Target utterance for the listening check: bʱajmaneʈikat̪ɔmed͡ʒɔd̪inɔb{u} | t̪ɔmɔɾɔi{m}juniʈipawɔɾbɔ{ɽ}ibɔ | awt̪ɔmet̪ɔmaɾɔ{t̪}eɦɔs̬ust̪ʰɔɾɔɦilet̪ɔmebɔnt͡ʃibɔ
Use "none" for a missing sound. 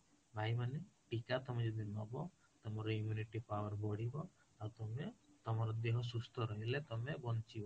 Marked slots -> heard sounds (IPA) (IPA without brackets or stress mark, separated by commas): ɔ, m, ɽ, d̪